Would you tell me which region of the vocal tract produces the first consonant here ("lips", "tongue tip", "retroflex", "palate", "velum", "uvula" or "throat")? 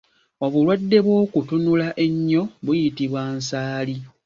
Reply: lips